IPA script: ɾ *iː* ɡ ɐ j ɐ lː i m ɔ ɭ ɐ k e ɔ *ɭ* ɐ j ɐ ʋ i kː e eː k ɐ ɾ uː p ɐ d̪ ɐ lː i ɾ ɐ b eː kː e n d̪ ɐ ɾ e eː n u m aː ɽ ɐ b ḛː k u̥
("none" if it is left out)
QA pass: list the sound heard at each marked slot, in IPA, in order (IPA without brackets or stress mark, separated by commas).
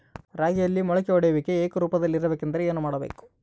aː, ɽ